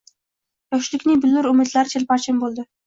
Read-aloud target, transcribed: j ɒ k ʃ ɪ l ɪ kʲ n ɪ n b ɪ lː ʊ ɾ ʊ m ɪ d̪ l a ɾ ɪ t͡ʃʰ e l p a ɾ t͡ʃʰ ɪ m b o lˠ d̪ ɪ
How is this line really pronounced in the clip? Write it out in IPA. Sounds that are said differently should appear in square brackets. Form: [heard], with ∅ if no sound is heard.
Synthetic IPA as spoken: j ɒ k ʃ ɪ l ɪ kʲ n ɪ [ŋ] b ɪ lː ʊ ɾ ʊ m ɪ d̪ l a ɾ ɪ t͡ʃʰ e l p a ɾ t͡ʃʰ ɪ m b o lˠ d̪ ɪ